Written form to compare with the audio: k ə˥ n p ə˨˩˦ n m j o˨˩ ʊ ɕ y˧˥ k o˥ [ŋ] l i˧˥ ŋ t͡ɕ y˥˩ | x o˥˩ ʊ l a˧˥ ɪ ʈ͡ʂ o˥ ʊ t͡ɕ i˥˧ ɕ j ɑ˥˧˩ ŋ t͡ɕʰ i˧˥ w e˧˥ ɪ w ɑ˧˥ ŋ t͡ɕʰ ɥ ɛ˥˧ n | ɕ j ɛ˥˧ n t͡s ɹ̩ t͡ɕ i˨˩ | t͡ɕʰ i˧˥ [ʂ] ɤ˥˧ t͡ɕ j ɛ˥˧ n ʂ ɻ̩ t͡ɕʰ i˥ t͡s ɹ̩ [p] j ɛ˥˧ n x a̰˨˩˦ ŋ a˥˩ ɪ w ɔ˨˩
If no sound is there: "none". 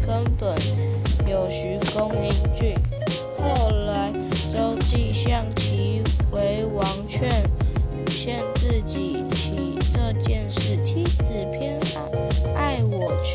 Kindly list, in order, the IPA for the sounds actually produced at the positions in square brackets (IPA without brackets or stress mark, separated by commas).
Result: ŋ, ʈ͡ʂ, pʰ